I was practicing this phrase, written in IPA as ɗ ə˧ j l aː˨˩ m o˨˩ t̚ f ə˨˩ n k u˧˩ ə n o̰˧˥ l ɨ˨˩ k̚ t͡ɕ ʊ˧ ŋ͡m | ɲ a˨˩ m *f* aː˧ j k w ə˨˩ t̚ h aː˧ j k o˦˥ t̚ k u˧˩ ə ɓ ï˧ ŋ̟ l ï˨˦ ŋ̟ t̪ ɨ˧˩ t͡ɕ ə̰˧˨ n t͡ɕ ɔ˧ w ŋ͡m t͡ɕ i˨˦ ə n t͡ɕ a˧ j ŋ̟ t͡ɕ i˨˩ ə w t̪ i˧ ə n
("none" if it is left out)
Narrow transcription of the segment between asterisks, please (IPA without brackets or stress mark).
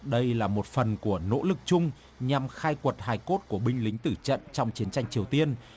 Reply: x